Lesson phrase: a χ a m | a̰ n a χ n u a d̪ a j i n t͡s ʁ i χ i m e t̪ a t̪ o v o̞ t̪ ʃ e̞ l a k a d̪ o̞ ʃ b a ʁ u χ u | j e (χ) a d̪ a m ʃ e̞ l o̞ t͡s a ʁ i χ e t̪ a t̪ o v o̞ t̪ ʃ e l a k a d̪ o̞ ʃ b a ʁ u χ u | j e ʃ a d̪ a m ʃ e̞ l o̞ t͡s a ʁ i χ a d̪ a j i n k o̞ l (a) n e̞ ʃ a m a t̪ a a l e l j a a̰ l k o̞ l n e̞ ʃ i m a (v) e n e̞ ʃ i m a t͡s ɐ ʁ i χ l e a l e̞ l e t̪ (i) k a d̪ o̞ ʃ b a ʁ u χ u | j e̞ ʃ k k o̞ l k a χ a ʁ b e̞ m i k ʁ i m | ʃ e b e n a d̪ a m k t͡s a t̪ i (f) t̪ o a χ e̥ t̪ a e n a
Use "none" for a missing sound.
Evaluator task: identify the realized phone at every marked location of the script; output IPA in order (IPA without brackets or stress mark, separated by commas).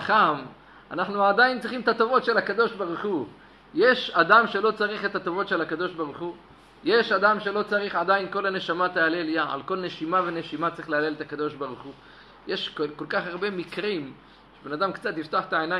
ʃ, a, v, a, f